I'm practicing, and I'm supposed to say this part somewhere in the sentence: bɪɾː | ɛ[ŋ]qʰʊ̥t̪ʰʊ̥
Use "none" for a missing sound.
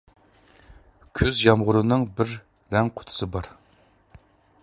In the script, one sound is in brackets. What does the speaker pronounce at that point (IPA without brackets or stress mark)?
ŋ